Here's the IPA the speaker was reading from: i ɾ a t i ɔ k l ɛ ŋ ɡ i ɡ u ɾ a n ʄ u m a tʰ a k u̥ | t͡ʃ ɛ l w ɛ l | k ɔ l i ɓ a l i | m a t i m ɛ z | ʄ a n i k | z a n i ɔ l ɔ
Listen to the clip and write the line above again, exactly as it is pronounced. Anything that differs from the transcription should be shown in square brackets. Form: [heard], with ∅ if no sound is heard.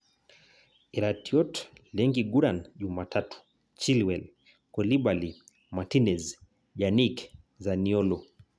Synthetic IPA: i ɾ a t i ɔ [t] l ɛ ŋ ɡ i ɡ u ɾ a n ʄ u m a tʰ a [t] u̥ | t͡ʃ [i] l w ɛ l | k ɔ l i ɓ a l i | m a t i [n] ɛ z | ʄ a n i k | z a n i ɔ l ɔ